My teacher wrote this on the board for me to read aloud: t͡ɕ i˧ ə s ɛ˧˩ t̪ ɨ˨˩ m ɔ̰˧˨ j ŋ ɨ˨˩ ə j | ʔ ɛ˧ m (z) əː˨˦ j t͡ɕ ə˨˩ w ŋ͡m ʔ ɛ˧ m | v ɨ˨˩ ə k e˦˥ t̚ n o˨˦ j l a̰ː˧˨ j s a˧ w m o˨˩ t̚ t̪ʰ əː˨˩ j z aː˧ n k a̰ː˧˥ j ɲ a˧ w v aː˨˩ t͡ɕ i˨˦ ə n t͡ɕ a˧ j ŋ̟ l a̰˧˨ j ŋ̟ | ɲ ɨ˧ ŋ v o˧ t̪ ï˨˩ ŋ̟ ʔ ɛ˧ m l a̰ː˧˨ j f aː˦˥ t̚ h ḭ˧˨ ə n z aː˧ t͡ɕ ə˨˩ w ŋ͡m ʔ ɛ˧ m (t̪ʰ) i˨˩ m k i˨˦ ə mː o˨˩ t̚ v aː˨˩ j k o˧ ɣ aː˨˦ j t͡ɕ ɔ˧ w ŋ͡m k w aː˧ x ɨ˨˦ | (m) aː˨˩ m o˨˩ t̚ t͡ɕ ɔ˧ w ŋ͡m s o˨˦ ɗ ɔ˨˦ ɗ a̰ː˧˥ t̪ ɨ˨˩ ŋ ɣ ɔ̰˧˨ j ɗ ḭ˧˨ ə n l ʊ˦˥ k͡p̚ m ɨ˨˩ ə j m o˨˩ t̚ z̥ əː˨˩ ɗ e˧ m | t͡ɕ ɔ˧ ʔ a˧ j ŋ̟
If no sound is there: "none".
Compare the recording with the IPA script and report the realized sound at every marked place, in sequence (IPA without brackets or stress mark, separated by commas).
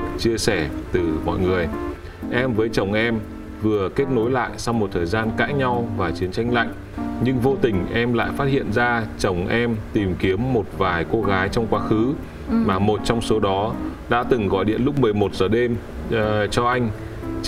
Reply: v, t̪, m